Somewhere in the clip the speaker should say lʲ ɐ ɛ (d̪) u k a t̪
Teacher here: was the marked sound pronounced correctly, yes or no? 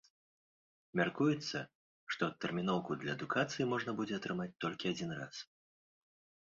yes